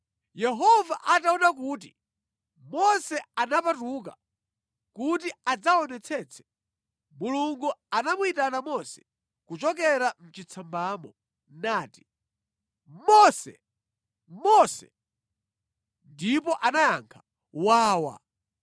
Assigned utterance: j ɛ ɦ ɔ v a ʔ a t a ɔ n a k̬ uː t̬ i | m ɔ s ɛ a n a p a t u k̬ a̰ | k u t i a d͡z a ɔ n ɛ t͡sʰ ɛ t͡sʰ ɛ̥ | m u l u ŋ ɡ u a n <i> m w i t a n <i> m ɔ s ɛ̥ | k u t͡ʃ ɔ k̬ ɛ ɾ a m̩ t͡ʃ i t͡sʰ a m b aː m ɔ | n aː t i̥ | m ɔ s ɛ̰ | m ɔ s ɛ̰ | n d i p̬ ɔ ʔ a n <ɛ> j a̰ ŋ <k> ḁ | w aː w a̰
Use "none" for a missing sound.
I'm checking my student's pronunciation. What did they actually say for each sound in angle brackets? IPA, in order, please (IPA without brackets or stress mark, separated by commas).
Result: a, a, a, kʰ